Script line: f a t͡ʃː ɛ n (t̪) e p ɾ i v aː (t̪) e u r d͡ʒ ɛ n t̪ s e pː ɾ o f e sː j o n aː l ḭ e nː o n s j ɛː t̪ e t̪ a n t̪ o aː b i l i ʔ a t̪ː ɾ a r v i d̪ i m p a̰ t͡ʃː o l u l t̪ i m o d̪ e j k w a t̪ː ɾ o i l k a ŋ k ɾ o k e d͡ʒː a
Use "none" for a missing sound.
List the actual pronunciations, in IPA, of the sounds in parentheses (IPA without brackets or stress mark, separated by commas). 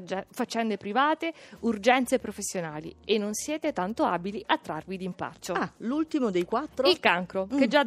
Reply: d̪, t̪